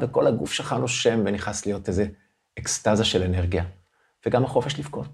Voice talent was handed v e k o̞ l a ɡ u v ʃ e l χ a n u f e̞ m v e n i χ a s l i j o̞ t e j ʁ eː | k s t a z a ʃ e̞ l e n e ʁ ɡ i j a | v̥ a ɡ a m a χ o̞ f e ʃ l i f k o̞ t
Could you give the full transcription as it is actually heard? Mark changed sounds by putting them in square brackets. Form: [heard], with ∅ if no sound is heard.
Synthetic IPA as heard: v e k o̞ l a ɡ u [f] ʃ e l χ a n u [ʃ] e̞ m v e n i χ a s l i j o̞ t e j [z] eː | k s t a z a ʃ e̞ l e n e ʁ ɡ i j a | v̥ [e] ɡ a m a χ o̞ f e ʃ l i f k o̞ t